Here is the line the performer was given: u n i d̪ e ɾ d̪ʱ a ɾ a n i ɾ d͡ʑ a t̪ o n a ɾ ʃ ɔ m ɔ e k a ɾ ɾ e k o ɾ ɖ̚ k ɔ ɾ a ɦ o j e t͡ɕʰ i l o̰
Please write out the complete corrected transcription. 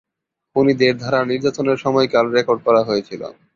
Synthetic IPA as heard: u n i d̪ e ɾ d̪ʱ a ɾ a n i ɾ d͡ʑ a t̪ o n e ɾ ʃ ɔ m ɔ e k a l ɾ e k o ɾ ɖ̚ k ɔ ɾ a ɦ o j e t͡ɕʰ i l o̰